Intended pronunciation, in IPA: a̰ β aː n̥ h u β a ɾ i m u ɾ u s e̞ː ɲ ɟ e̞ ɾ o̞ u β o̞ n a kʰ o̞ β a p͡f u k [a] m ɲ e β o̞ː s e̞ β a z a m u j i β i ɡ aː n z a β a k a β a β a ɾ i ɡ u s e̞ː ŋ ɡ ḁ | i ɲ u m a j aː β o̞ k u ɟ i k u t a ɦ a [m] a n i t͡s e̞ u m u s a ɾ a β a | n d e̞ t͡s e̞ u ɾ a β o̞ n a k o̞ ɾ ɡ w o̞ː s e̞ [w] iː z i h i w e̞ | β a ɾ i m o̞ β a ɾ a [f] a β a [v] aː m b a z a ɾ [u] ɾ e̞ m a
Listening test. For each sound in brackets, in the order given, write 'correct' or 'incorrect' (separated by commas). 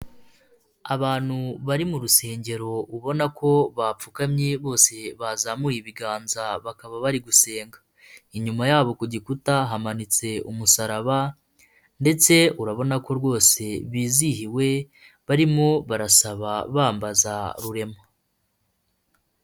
correct, correct, incorrect, incorrect, incorrect, correct